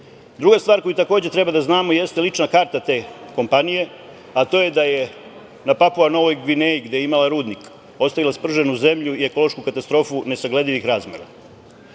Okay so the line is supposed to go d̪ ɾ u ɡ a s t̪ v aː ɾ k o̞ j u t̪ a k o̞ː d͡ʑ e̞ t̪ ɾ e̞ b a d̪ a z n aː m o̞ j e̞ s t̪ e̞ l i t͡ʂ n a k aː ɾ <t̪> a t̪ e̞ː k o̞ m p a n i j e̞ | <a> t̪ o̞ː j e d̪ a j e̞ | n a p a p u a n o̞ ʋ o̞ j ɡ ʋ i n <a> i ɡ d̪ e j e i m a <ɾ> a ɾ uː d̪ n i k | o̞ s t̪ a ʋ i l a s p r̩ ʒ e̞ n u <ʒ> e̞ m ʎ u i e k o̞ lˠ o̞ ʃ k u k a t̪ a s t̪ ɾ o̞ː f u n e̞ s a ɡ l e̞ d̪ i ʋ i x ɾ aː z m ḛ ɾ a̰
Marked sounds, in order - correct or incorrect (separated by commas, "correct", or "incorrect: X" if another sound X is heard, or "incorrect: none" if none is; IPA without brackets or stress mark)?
correct, correct, incorrect: e, incorrect: l, incorrect: z